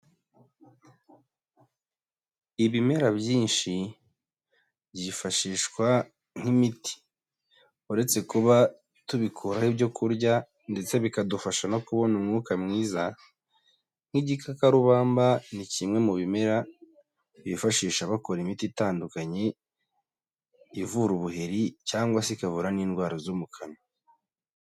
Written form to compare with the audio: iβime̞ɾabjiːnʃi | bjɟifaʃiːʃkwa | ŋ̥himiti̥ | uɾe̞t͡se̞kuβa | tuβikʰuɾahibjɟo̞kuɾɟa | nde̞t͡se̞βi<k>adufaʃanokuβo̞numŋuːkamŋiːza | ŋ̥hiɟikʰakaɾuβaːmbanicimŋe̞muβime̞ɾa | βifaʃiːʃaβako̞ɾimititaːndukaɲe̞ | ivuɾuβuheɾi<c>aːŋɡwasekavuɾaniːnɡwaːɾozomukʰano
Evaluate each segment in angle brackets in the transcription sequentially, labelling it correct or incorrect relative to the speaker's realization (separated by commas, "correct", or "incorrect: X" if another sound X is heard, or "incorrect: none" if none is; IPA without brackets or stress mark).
correct, correct